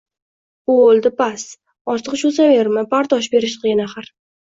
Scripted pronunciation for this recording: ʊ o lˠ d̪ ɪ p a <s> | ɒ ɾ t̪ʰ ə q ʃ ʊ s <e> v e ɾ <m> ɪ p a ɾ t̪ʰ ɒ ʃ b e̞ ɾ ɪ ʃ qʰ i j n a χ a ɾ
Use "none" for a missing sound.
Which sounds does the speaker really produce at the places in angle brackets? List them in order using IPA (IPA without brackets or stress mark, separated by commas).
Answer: s, a, m